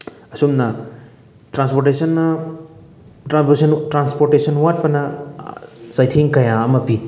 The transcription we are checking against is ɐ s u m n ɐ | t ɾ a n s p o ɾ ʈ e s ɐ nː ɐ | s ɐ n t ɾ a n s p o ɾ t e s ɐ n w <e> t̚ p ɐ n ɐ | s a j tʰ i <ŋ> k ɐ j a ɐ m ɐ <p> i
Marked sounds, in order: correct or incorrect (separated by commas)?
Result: incorrect, correct, correct